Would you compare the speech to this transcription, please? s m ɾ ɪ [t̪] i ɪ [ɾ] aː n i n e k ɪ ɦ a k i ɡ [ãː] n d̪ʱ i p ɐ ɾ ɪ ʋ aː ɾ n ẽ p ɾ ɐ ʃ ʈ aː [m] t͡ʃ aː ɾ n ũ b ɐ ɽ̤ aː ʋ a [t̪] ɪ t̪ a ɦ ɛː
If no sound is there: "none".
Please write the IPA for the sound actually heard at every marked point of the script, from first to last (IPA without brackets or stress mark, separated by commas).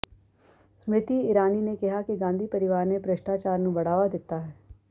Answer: t̪, ɾ, ãː, none, d̪